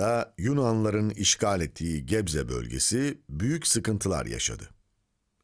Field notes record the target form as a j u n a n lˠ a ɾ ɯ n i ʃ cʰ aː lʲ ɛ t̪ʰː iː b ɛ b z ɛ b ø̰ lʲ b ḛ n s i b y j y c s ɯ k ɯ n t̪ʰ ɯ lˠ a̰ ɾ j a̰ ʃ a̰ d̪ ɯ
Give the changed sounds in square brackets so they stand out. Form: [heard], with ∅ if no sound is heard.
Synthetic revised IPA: a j u n a n lˠ a ɾ ɯ n i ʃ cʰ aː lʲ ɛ t̪ʰː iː [ɟ] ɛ b z ɛ b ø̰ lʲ [ɟ] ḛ [∅] s i b y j y c s ɯ k ɯ n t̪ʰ ɯ lˠ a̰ ɾ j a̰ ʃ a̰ d̪ ɯ